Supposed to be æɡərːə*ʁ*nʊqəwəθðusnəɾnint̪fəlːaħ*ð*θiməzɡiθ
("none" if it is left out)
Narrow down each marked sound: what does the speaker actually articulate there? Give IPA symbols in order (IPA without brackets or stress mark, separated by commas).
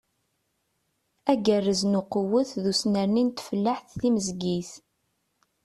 z, θ